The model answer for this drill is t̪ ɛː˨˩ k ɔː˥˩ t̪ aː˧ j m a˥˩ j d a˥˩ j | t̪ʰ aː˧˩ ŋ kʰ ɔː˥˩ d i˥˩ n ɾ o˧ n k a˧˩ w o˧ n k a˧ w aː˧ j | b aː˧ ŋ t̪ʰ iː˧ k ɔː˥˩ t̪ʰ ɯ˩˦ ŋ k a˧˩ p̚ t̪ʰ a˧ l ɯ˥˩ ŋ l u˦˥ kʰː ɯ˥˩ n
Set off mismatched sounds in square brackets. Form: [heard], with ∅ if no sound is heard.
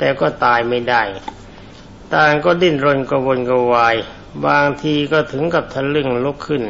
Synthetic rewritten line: t̪ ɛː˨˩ k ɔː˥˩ t̪ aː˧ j m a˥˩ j d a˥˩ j | [t̪] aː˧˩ ŋ [k] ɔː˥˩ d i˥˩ n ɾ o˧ n k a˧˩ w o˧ n k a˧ w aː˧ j | b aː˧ ŋ t̪ʰ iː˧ k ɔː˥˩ t̪ʰ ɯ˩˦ ŋ k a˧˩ p̚ t̪ʰ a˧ l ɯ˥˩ ŋ l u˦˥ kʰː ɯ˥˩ n